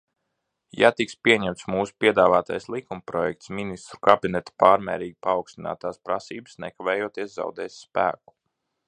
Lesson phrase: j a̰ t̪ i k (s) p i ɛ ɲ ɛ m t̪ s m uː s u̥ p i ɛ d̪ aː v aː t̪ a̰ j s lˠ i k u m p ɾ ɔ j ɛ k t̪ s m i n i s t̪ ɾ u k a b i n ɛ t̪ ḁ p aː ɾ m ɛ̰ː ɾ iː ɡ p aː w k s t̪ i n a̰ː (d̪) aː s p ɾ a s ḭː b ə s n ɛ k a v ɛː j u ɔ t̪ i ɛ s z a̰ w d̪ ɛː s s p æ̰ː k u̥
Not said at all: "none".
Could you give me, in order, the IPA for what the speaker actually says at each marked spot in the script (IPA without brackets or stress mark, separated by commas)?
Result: s, t̪